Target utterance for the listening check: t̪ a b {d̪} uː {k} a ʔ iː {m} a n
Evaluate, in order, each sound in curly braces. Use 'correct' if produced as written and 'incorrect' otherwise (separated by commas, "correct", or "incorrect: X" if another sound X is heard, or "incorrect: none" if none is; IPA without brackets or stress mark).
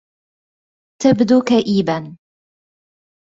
correct, correct, incorrect: b